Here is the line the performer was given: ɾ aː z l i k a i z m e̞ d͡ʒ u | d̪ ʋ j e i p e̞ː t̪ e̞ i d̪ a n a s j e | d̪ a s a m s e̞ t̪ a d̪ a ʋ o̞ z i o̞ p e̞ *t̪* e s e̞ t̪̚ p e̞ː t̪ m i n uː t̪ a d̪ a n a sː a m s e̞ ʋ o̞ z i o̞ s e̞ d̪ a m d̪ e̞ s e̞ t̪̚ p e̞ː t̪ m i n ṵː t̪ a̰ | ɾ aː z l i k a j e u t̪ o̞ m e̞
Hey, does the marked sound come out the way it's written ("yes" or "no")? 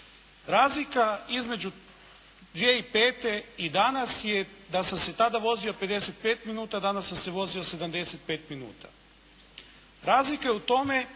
no